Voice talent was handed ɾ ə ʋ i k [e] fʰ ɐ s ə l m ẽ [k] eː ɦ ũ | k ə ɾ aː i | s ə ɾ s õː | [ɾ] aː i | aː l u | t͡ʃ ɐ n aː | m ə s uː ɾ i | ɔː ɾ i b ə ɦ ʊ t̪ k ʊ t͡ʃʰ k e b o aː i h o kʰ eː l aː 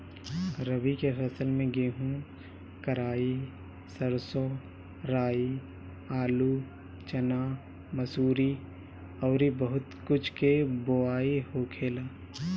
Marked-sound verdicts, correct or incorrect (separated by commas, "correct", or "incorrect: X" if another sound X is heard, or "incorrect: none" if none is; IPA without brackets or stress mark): correct, incorrect: ɡ, correct